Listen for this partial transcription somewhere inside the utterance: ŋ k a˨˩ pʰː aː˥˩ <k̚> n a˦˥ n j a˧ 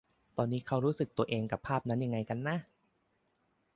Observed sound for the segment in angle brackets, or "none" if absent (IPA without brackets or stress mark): p̚